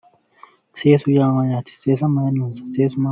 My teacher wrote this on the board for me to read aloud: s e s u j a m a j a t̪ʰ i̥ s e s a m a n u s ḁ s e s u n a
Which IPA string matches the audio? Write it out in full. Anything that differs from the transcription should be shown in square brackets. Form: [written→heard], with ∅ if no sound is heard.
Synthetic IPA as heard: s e s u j a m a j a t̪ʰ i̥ s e s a m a n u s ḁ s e s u [n→m] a